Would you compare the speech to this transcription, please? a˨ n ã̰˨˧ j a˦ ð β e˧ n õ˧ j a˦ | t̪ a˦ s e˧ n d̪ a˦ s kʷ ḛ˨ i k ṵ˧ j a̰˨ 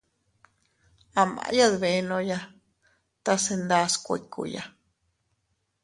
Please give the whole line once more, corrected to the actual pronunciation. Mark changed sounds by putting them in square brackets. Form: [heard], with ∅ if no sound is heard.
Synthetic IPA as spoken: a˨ [m] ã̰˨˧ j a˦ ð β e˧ n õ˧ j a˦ | t̪ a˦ s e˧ n d̪ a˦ s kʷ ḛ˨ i k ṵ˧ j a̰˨